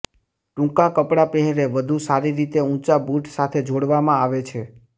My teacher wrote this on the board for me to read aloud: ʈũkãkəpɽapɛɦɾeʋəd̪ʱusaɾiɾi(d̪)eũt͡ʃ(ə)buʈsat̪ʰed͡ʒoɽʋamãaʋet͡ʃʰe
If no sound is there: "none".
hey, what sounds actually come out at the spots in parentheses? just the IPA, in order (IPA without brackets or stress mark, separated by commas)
t̪, a